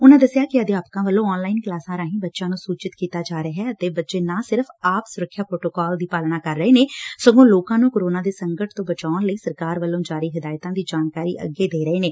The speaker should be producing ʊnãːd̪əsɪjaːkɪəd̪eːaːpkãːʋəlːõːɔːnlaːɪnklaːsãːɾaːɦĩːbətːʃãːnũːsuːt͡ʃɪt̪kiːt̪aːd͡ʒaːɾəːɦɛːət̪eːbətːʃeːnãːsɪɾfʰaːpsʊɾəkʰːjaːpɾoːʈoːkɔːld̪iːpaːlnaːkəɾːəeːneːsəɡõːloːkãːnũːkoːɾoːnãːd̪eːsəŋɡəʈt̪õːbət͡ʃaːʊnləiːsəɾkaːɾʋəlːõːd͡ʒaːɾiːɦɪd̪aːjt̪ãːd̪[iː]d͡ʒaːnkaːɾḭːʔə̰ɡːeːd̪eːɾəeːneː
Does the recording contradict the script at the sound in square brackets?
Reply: no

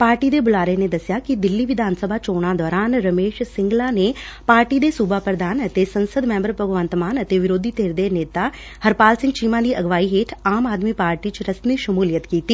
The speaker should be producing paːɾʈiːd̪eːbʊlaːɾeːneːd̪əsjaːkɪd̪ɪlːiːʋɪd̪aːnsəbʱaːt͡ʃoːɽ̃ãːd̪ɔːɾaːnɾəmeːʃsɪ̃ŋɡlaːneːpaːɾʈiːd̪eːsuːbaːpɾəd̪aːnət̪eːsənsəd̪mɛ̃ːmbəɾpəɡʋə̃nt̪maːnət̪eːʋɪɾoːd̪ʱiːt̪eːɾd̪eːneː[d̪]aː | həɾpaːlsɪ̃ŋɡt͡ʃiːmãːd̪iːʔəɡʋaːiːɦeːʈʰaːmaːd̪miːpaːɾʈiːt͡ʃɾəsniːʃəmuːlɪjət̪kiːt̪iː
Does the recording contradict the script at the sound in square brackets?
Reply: yes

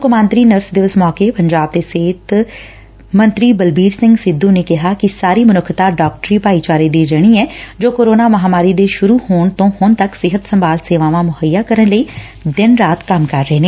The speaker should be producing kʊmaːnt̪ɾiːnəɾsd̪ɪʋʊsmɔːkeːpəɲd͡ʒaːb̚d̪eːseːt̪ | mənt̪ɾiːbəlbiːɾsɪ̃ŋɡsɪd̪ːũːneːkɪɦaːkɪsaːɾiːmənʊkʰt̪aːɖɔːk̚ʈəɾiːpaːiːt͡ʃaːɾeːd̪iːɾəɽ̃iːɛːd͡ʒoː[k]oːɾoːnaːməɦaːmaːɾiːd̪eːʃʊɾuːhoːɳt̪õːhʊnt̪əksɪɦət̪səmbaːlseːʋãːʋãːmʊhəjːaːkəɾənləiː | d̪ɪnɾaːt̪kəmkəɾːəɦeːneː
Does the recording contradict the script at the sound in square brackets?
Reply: no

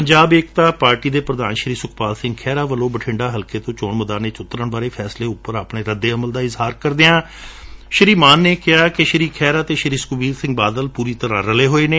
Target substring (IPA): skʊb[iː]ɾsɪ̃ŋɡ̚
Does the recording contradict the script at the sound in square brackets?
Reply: no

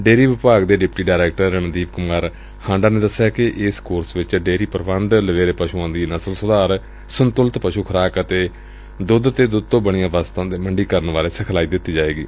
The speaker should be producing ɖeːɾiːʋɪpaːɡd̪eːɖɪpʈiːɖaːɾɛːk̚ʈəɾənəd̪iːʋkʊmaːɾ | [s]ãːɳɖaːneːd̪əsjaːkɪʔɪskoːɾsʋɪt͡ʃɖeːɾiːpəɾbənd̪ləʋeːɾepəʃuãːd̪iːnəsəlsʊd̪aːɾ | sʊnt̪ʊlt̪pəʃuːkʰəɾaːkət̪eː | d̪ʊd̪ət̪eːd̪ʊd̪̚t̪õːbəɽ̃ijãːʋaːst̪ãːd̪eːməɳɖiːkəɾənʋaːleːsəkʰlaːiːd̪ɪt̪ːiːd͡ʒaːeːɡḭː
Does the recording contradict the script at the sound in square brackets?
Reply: yes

